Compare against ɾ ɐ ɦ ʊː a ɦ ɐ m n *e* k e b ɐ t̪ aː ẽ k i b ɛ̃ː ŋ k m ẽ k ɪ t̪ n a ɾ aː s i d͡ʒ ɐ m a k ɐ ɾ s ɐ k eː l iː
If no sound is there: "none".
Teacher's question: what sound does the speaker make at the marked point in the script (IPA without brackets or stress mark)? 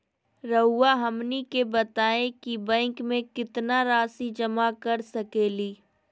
i